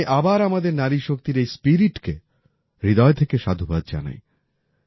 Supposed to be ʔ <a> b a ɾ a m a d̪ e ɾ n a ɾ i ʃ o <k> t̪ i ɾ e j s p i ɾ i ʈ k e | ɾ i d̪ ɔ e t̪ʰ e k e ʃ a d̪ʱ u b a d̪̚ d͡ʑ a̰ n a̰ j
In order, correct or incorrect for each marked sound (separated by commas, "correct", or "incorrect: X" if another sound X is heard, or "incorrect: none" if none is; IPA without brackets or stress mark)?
correct, correct